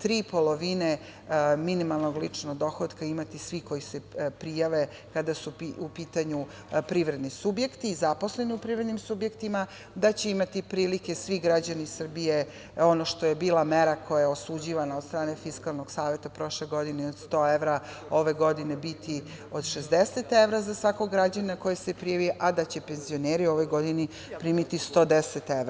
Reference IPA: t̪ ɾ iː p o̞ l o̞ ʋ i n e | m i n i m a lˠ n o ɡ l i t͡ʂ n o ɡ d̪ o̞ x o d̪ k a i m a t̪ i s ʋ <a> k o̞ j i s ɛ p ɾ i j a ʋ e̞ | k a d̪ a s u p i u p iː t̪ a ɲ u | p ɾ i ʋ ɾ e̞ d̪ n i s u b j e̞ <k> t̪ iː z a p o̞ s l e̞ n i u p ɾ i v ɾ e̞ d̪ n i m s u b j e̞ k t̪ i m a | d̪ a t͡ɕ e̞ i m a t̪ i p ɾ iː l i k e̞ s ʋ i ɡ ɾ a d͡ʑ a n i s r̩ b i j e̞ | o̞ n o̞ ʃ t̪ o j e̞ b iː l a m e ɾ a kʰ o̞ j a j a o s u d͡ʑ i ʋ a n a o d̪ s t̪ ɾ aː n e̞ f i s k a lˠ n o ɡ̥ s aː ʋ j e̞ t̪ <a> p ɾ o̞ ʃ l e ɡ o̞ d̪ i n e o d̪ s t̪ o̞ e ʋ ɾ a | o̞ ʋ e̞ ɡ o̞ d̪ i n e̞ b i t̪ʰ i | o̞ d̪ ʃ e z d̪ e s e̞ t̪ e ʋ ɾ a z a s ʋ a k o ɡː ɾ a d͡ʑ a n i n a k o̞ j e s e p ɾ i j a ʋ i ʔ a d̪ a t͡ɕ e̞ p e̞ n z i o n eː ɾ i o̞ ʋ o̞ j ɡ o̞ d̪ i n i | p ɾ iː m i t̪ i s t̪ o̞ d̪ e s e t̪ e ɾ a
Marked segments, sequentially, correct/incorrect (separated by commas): incorrect, correct, correct